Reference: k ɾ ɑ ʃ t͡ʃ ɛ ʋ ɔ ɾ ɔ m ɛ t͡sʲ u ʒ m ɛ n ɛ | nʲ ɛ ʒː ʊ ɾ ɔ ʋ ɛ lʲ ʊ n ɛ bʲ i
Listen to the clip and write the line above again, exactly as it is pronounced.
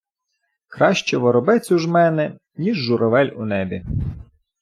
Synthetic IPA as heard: k ɾ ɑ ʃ t͡ʃ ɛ ʋ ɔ ɾ ɔ b ɛ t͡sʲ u ʒ m ɛ n ɛ | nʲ i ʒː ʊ ɾ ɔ ʋ ɛ lʲ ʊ n ɛ bʲ i